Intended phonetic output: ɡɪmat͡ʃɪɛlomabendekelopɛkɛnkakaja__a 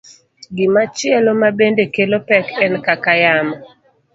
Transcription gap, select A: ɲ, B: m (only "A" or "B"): B